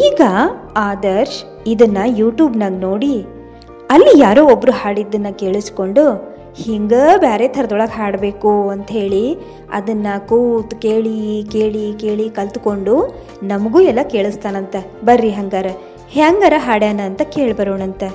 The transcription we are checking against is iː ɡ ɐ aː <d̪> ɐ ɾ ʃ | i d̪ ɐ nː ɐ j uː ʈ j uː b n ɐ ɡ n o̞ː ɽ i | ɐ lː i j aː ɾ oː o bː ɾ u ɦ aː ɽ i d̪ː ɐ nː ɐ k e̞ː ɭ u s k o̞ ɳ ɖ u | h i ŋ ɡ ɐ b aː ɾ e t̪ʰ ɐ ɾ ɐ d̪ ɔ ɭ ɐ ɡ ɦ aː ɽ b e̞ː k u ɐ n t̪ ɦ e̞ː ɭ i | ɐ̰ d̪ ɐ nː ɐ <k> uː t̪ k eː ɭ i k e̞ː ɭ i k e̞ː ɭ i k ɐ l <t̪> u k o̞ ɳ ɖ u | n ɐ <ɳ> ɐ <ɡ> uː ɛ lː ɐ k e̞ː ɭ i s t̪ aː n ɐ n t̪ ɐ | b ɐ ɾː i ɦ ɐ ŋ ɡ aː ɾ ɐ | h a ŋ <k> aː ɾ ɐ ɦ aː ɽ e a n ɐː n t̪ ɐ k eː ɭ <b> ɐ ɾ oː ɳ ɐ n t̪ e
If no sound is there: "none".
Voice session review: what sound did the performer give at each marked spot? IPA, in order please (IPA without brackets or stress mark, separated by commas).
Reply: d̪, k, t̪, m, ɡ, ɡ, b